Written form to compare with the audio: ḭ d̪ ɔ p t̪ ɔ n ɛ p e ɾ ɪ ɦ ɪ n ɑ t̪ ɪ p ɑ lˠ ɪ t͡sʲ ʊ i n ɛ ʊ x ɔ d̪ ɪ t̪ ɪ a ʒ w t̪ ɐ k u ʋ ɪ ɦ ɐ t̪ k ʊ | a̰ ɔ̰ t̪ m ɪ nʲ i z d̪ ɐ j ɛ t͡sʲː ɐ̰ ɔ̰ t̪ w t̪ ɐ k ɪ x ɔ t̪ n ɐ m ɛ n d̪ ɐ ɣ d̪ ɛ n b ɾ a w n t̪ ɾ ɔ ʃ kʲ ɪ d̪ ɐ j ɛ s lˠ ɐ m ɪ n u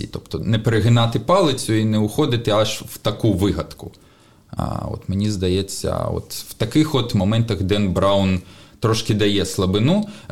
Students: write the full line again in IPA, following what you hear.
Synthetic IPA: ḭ t̪ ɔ p t̪ ɔ n ɛ p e ɾ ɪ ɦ ɪ n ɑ t̪ ɪ p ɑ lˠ ɪ t͡sʲ ʊ i n ɛ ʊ x ɔ d̪ ɪ t̪ ɪ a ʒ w t̪ ɐ k u ʋ ɪ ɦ ɐ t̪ k ʊ | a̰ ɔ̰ t̪ m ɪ nʲ i z d̪ ɐ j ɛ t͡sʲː ɐ̰ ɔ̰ t̪ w t̪ ɐ k ɪ x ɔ t̪ m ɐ m ɛ n t̪ ɐ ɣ d̪ ɛ n b ɾ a w n t̪ ɾ ɔ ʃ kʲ ɪ d̪ ɐ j ɛ s lˠ ɐ b ɪ n u